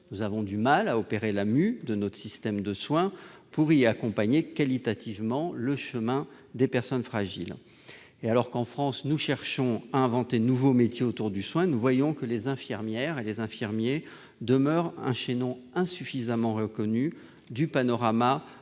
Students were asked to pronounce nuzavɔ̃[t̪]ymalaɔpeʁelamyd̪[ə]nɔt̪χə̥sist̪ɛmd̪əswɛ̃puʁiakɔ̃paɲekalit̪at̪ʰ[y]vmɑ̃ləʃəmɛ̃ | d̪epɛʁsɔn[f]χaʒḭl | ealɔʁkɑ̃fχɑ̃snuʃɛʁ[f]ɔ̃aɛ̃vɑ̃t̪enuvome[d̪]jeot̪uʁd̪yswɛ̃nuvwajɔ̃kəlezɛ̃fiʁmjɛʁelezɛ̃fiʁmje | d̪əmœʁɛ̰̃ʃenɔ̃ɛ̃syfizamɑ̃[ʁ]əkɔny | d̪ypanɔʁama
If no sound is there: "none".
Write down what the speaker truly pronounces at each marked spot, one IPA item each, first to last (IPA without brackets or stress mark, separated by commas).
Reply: d̪, ə, i, f, ʃ, t̪, ʁ